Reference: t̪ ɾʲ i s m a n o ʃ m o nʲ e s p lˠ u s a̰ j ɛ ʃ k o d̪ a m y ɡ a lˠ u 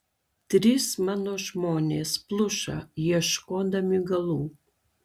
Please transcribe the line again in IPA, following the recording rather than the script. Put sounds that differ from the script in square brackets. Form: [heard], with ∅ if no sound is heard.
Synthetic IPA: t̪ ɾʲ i s m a n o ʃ m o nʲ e s p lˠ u [ʃ] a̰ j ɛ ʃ k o d̪ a m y ɡ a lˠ u

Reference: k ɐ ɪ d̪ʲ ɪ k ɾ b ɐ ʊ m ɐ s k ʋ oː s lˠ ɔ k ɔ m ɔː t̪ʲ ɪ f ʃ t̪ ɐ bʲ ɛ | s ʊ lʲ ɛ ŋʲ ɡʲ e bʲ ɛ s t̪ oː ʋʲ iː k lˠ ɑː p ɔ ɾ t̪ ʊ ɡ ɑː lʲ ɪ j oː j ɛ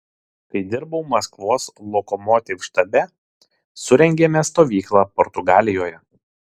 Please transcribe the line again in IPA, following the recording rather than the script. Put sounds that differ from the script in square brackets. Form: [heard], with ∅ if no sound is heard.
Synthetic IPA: k ɐ ɪ d̪ʲ ɪ [∅] ɾ b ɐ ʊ m ɐ s k ʋ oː s lˠ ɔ k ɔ m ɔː t̪ʲ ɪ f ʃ t̪ ɐ bʲ ɛ | s ʊ [ɾʲ] ɛ ŋʲ ɡʲ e [mʲ] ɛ s t̪ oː ʋʲ iː k lˠ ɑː p ɔ ɾ t̪ ʊ ɡ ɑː lʲ ɪ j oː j ɛ

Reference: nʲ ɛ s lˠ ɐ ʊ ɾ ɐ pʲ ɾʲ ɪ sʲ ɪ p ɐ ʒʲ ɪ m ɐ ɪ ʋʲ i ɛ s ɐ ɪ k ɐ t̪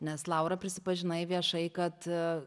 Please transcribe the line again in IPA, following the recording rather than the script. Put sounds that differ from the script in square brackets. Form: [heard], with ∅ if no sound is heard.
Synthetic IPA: nʲ ɛ s lˠ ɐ ʊ ɾ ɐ pʲ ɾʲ ɪ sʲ ɪ p ɐ ʒʲ ɪ [n] ɐ ɪ ʋʲ i ɛ [ʃ] ɐ ɪ k ɐ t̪

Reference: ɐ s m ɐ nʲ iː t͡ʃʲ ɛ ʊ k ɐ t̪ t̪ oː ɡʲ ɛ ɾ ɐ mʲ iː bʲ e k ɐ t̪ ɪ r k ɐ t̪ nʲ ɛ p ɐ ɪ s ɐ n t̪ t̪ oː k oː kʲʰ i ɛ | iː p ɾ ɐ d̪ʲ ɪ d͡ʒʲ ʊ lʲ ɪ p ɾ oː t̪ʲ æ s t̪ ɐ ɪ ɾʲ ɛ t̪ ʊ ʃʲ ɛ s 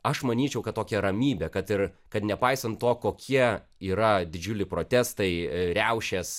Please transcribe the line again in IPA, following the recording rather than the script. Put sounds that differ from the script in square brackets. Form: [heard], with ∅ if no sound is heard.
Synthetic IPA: ɐ [ʃ] m ɐ nʲ iː t͡ʃʲ ɛ ʊ k ɐ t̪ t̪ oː [kʲ] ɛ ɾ ɐ mʲ iː bʲ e k ɐ t̪ ɪ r k ɐ t̪ nʲ ɛ p ɐ ɪ s ɐ n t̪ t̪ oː k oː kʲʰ i ɛ | iː [∅] ɾ ɐ d̪ʲ ɪ d͡ʒʲ ʊ lʲ ɪ p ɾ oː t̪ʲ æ s t̪ ɐ ɪ ɾʲ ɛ [∅] ʊ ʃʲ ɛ s

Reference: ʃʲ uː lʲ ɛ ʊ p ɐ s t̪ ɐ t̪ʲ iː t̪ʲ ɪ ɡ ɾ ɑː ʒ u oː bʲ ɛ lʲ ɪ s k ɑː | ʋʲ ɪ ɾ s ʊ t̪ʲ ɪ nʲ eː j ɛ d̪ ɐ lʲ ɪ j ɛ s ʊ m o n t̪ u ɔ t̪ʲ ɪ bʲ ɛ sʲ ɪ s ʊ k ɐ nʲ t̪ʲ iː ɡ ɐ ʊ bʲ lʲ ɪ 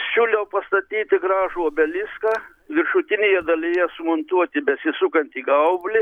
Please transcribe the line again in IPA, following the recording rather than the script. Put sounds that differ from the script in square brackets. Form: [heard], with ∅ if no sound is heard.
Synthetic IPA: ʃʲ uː lʲ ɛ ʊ p ɐ s t̪ ɐ t̪ʲ iː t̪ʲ ɪ ɡ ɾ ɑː ʒ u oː bʲ ɛ lʲ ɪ s k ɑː | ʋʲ ɪ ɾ [ʃ] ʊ t̪ʲ ɪ nʲ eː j ɛ d̪ ɐ lʲ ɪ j ɛ s ʊ m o n t̪ u ɔ t̪ʲ ɪ bʲ ɛ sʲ ɪ s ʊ k ɐ nʲ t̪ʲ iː ɡ ɐ ʊ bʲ lʲ ɪ

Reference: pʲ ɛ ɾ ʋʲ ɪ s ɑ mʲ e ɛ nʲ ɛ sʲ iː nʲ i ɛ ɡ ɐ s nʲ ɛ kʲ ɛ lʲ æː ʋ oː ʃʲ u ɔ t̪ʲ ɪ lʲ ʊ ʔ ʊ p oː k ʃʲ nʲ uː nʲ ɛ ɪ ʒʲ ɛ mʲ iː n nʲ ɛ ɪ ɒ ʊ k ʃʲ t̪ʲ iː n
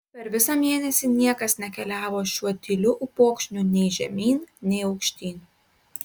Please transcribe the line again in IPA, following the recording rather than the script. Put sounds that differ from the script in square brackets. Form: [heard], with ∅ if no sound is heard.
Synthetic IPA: pʲ ɛ ɾ ʋʲ ɪ s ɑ mʲ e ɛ nʲ ɛ sʲ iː nʲ i ɛ [k] ɐ s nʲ ɛ kʲ ɛ lʲ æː ʋ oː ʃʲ u ɔ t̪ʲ ɪ lʲ ʊ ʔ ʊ p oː k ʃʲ nʲ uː nʲ ɛ ɪ ʒʲ ɛ mʲ iː n nʲ ɛ ɪ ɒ ʊ k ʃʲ t̪ʲ iː n

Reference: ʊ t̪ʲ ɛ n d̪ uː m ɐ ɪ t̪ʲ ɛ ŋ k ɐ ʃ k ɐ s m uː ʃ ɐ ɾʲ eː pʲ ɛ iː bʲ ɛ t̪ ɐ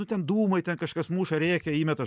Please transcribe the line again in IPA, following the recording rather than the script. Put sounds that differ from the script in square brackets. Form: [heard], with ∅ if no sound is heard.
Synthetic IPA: ʊ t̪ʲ ɛ n d̪ uː m ɐ ɪ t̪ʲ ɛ [n] k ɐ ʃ k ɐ s m uː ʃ ɐ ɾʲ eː [kʲ] ɛ iː [mʲ] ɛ t̪ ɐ

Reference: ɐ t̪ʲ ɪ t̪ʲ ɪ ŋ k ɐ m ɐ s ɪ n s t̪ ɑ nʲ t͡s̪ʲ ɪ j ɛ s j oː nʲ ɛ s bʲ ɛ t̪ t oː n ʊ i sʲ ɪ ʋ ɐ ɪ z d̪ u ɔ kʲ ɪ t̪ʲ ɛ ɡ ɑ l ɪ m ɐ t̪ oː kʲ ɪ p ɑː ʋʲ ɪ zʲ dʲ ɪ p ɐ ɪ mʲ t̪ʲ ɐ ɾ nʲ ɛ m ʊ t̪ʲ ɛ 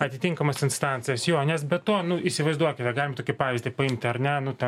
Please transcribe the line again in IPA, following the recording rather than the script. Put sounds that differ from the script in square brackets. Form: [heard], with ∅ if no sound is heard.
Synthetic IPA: ɐ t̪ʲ ɪ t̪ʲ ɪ ŋ k ɐ m ɐ s ɪ n s t̪ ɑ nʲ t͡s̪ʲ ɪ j ɛ s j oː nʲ ɛ s bʲ ɛ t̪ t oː n ʊ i sʲ ɪ ʋ ɐ ɪ z d̪ u ɔ kʲ ɪ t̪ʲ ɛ ɡ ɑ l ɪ m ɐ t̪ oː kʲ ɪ p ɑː ʋʲ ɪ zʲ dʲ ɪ p ɐ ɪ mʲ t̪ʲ ɐ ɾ nʲ ɛ [n] ʊ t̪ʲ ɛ

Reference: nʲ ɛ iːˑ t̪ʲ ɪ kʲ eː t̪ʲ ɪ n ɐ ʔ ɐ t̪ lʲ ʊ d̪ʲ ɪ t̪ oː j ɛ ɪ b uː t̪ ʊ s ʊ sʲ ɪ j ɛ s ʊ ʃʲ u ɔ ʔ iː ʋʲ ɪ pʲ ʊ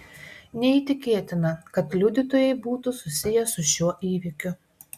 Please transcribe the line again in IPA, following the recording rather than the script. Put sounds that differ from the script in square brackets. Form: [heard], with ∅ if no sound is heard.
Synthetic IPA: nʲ ɛ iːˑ t̪ʲ ɪ kʲ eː t̪ʲ ɪ n ɐ [k] ɐ t̪ lʲ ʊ d̪ʲ ɪ t̪ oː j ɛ ɪ b uː t̪ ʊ s ʊ sʲ ɪ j ɛ s ʊ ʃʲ u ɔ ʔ iː ʋʲ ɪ [kʲ] ʊ

